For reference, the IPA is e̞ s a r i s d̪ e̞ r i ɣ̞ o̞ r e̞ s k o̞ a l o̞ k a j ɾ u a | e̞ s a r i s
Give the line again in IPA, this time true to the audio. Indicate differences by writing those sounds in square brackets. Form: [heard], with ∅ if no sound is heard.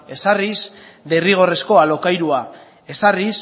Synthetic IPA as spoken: e̞ s a r i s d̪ e̞ r i ɣ̞ o̞ r e̞ s k o̞ a l o̞ k a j ɾ u a | e̞ s a r i s